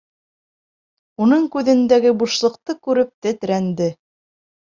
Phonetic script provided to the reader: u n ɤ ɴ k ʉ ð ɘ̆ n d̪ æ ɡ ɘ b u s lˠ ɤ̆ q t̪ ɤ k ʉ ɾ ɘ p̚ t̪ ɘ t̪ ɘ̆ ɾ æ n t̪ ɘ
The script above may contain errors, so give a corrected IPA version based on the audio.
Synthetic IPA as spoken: u n ɤ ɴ k ʉ ð ɘ̆ n d̪ æ ɡ ɘ b u ʃ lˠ ɤ̆ q t̪ ɤ k ʉ ɾ ɘ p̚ t̪ ɘ t̪ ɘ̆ ɾ æ n d̪ ɘ